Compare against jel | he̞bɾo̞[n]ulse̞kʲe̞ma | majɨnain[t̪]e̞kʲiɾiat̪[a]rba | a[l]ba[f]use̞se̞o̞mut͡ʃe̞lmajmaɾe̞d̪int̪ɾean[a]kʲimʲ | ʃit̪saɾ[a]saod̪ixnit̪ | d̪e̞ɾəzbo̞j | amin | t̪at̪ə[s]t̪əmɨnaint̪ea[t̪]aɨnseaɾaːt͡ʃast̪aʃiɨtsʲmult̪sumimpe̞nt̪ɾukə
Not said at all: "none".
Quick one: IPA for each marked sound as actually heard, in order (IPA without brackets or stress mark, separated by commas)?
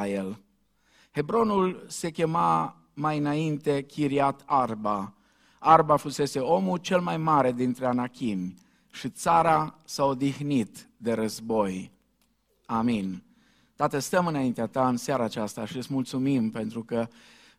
n, t̪, a, r, f, a, a, s, t̪